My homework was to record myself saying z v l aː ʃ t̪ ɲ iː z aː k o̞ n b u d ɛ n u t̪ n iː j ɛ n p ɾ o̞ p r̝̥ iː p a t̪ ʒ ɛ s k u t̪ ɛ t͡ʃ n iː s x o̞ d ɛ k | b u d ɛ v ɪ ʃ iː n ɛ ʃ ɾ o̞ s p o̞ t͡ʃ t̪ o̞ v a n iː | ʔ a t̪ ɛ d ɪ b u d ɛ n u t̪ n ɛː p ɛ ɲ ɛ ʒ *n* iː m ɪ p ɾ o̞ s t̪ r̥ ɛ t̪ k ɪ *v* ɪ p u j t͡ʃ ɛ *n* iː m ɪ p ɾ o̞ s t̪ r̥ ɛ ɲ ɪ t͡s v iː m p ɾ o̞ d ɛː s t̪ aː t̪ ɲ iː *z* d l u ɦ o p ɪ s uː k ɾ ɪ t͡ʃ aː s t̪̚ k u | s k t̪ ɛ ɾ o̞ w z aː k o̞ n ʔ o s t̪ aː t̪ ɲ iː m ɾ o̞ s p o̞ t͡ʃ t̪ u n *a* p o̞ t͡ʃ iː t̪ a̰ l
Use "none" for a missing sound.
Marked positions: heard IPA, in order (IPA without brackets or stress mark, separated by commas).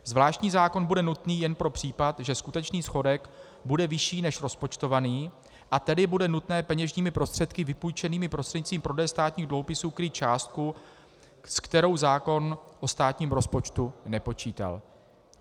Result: ɲ, v, n, ɣ, ɛ